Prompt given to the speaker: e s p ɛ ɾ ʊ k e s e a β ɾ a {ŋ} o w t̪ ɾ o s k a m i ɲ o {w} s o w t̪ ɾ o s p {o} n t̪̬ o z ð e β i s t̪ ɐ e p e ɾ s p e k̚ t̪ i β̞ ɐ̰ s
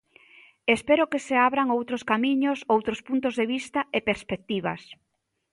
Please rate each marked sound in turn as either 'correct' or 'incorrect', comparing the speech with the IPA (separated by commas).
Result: correct, incorrect, incorrect